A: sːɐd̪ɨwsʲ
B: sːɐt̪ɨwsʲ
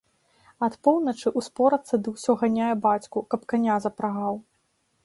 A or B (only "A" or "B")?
A